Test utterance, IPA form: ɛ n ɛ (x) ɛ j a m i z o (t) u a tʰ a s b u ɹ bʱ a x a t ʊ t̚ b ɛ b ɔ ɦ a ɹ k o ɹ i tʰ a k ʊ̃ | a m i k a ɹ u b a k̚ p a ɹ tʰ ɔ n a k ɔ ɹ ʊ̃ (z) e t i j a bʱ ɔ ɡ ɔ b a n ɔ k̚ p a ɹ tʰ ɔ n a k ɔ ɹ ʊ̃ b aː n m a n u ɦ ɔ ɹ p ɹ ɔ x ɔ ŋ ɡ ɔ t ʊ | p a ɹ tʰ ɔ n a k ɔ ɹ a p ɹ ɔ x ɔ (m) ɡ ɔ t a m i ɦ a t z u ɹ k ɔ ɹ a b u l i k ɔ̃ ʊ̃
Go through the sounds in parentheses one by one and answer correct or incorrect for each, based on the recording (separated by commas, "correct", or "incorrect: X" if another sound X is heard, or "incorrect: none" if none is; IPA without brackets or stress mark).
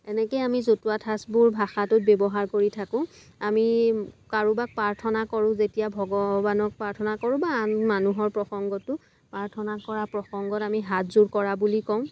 incorrect: k, correct, correct, incorrect: ŋ